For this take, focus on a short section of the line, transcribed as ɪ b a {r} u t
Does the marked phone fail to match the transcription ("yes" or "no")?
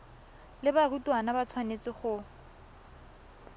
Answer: no